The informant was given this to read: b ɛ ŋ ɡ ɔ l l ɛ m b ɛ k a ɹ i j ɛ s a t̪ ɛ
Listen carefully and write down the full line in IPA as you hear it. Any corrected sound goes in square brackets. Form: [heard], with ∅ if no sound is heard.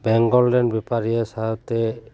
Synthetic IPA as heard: b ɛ ŋ ɡ ɔ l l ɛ [n] b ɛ [p] a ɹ i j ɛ s a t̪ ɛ